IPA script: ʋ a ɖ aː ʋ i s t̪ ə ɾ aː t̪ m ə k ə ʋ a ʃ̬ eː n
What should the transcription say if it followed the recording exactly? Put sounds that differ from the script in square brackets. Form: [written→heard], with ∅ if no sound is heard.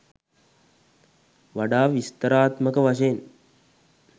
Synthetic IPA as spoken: ʋ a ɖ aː ʋ i s t̪ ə ɾ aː t̪ m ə k ə ʋ a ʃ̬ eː n